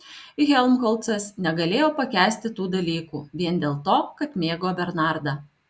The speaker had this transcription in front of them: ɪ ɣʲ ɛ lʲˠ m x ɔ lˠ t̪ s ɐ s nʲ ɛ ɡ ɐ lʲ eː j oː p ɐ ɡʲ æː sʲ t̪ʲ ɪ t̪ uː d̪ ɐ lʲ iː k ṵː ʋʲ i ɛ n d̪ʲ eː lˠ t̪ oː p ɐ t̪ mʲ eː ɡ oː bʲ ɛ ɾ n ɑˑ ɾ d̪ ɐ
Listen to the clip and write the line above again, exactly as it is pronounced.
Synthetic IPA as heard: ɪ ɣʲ ɛ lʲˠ m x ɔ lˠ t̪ s ɐ s nʲ ɛ ɡ ɐ lʲ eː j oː p ɐ kʲ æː sʲ t̪ʲ ɪ t̪ uː d̪ ɐ lʲ iː k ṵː ʋʲ i ɛ n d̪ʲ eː lˠ t̪ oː k ɐ t̪ mʲ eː ɡ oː bʲ ɛ ɾ n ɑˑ ɾ d̪ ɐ